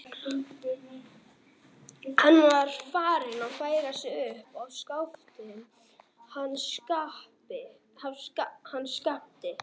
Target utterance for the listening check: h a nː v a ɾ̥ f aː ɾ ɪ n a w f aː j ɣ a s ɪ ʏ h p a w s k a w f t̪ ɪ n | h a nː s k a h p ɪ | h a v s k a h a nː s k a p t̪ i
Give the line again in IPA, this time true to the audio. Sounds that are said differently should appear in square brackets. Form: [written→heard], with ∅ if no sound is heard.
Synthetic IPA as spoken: h a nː v a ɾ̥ f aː ɾ ɪ n a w f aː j ɣ a s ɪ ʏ h p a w s k a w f t̪ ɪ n | h a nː s k a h p ɪ | h a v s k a h a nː s k a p t̪ [i→ɪ]